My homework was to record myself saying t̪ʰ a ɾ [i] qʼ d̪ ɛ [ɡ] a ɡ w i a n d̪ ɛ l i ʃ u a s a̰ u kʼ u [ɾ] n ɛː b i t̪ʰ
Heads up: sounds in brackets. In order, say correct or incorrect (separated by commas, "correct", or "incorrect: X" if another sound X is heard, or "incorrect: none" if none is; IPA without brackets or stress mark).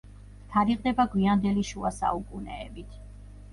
correct, incorrect: b, incorrect: none